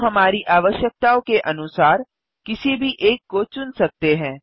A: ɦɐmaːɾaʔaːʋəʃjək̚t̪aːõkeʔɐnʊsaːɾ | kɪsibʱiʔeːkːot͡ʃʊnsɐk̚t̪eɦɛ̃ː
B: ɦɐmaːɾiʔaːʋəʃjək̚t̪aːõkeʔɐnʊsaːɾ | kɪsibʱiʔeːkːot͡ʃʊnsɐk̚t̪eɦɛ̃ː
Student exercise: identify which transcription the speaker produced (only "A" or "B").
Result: B